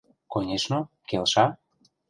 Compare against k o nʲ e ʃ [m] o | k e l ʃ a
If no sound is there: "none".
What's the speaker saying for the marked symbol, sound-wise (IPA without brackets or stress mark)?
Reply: n